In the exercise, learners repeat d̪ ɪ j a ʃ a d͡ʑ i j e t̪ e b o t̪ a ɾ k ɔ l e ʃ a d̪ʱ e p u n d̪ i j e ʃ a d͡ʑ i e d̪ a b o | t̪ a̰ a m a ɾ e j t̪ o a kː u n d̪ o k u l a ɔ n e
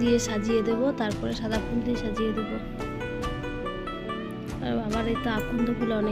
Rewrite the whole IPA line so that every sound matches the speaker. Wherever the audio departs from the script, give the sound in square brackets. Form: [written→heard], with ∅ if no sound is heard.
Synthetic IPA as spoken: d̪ [ɪ→i] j [a→e] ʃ a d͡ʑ i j e [t̪→d̪] e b o t̪ a ɾ [k→p] ɔ [l→ɾ] e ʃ a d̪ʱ [e→a] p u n d̪ i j e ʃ a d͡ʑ i e d̪ [a→e] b o | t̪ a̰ a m a ɾ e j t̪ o a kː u n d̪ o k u l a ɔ n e